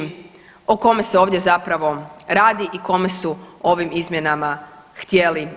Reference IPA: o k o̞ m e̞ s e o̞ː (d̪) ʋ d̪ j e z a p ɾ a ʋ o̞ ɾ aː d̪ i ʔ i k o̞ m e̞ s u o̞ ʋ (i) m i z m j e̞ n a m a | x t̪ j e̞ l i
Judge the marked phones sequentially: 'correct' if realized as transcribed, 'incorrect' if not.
incorrect: none, correct

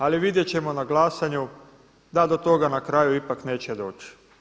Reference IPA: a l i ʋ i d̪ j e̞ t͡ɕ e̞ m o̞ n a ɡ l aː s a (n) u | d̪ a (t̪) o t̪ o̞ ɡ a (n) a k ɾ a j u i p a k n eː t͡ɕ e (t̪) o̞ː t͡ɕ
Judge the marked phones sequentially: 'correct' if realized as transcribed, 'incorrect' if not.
incorrect: ɲ, incorrect: d̪, correct, incorrect: d̪

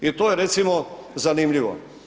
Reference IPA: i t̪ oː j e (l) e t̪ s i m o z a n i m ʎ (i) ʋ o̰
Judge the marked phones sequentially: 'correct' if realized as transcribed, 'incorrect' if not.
incorrect: ɾ, correct

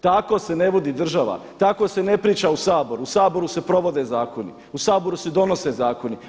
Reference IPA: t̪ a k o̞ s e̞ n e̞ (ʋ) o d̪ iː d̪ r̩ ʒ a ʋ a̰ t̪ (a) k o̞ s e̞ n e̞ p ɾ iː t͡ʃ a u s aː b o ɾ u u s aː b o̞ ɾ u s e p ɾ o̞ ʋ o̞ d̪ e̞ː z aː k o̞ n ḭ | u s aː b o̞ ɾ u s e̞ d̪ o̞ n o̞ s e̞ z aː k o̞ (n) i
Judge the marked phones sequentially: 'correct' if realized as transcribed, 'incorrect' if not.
correct, correct, correct

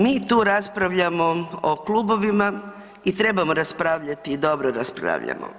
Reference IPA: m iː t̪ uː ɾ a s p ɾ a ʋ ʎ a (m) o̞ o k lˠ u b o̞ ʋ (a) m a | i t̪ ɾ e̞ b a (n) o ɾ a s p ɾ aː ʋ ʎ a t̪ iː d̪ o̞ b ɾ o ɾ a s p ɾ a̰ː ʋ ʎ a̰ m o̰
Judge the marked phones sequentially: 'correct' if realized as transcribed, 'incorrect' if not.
correct, incorrect: i, incorrect: m

